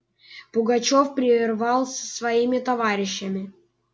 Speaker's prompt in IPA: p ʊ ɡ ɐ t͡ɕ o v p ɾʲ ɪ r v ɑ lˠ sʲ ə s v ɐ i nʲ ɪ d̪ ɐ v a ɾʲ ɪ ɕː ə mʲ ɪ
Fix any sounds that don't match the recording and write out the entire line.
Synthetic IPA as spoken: p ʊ ɡ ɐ t͡ɕ o f p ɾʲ ɪ r v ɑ lˠ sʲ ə s v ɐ i mʲ ɪ t̪ ɐ v a ɾʲ ɪ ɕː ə mʲ ɪ